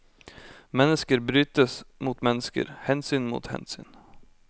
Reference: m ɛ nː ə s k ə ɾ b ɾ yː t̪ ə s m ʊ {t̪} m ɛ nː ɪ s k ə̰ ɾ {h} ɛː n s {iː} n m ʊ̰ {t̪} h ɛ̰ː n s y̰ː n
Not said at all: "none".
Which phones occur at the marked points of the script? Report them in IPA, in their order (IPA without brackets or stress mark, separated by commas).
t̪, h, yː, t̪